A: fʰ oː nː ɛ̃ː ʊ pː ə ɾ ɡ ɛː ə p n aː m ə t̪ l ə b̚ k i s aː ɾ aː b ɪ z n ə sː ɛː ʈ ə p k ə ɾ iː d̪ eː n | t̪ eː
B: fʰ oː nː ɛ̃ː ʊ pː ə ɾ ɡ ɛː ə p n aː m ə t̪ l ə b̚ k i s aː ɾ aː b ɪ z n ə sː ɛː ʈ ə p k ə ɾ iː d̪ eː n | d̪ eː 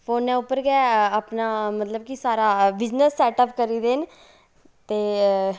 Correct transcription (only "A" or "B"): A